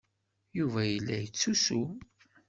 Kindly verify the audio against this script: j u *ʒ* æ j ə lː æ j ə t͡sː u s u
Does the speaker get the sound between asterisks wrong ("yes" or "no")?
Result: yes